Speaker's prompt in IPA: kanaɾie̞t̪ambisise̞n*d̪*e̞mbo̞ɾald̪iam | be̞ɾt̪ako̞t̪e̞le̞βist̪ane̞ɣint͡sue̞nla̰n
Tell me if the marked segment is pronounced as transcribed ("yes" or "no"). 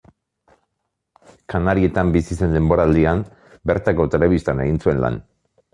yes